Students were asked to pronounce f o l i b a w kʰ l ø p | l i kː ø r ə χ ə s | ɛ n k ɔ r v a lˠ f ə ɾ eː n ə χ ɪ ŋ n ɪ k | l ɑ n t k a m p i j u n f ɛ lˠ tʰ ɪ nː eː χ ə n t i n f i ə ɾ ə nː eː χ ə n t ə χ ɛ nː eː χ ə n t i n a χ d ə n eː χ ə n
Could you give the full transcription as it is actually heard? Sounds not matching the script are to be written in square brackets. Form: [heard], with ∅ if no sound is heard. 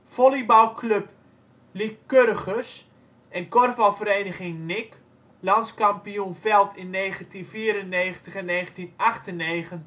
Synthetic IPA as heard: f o l i b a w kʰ l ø p | l i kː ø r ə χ ə s | ɛ n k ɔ r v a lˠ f ə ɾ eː n ə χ ɪ ŋ n ɪ k | l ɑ n [s] k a m p i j u n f ɛ lˠ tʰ ɪ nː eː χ ə n t i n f i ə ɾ ə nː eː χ ə n t ə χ ɛ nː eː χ ə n t i n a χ [t] ə n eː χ ə n